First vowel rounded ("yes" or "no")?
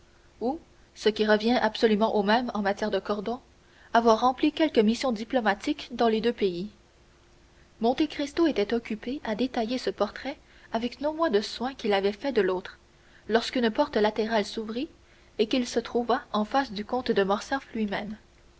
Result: yes